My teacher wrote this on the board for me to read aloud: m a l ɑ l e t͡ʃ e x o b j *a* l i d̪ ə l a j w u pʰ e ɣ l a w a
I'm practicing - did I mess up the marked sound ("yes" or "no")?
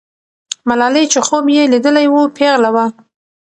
yes